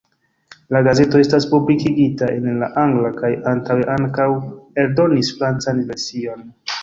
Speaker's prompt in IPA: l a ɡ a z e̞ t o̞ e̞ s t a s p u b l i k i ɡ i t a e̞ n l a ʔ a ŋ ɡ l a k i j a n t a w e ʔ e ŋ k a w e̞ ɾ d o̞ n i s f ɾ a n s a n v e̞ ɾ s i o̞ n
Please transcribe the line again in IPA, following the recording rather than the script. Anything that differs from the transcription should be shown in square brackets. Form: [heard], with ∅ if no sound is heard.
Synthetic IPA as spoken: l a ɡ a z e̞ t o̞ e̞ s t a s p u b l i k i ɡ i t a e̞ n l a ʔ a ŋ ɡ l a k [a] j a n t a w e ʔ [a] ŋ k a w e̞ ɾ d o̞ n i s f ɾ a n [t͡s] a n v e̞ ɾ s i o̞ n